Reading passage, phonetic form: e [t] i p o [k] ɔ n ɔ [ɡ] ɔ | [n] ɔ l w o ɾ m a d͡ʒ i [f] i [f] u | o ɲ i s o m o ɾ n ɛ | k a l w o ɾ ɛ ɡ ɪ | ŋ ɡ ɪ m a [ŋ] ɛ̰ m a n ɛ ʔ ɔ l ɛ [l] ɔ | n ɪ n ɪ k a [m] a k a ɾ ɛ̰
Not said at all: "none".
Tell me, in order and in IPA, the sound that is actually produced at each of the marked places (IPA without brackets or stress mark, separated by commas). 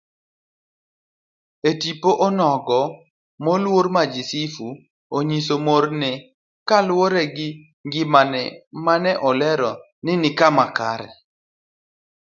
t, ʔ, ɡ, m, s, f, n, ɾ, m